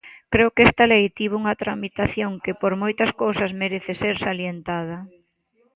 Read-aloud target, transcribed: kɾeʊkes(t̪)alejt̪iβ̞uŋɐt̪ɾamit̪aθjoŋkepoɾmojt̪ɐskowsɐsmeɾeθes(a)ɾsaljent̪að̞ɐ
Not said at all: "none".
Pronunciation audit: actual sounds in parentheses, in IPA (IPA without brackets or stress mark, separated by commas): t̪, e